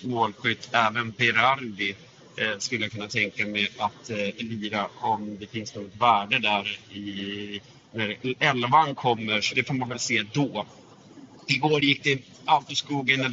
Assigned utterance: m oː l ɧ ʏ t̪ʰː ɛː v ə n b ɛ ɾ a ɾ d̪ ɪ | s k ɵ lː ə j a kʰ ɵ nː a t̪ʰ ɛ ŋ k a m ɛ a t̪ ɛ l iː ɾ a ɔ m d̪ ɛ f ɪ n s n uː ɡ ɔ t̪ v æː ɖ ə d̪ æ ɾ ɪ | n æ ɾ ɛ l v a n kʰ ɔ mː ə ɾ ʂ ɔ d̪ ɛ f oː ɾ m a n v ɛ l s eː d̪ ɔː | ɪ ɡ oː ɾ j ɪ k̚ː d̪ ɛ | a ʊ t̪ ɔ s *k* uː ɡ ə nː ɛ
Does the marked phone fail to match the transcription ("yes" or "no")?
no